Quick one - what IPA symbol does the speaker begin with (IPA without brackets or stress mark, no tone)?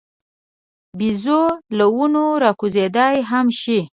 b